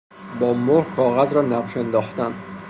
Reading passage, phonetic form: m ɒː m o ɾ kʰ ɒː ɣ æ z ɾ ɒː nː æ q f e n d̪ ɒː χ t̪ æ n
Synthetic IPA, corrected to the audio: b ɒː m o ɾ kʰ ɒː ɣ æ z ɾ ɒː n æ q ʃ e n d̪ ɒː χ t̪ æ n

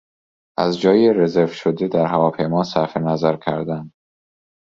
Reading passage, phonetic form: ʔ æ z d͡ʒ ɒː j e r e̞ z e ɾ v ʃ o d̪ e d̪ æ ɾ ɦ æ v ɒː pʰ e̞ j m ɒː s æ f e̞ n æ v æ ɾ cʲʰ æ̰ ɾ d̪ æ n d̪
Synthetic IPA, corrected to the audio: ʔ æ z d͡ʒ ɒː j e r e̞ z e ɾ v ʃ o d̪ e d̪ æ ɾ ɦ æ v ɒː pʰ e̞ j m ɒː s æ f e̞ n æ z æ ɾ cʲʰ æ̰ ɾ d̪ æ n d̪

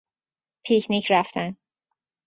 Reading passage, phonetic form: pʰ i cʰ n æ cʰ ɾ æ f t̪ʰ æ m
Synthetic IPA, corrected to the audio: pʰ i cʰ n i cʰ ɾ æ f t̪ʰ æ n

